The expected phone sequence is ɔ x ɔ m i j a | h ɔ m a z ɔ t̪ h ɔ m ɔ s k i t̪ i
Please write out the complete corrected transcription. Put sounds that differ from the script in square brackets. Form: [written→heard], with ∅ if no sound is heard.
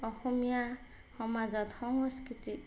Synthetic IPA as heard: ɔ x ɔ m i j a | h ɔ m a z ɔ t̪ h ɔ [m→ŋ] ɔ s k i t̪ i